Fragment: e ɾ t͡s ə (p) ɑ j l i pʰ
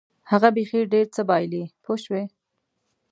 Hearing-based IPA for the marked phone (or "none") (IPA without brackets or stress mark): b